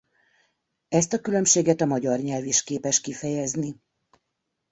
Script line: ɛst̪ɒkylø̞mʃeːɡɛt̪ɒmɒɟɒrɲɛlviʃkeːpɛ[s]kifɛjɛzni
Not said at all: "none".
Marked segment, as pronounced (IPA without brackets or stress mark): ʃ